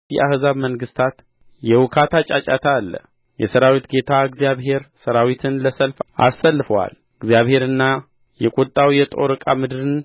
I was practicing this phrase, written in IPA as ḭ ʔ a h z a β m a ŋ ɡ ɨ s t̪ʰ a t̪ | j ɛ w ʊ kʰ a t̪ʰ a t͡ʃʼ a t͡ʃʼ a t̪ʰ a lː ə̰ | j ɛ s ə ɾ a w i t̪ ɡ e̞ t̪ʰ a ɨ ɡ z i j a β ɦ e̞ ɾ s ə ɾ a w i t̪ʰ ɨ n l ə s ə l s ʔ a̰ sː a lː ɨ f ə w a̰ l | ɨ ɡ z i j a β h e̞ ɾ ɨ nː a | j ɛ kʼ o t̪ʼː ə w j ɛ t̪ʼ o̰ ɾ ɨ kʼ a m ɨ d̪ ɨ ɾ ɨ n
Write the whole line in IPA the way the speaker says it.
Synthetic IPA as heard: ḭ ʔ a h z a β m ə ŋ ɡ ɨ s t̪ʰ a t̪ | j ɛ w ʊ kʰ a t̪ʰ a t͡ʃʼ a t͡ʃʼ a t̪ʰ a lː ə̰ | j ɛ s ə ɾ a w i t̪ ɡ e̞ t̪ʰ a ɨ ɡ z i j a β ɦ e̞ ɾ s ə ɾ a w i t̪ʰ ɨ n l ə s ə l f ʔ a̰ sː ə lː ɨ f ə w a̰ l | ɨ ɡ z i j a β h e̞ ɾ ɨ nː a | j ɛ kʼ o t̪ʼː a w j ɛ t̪ʼ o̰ ɾ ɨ kʼ a m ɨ d̪ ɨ ɾ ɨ n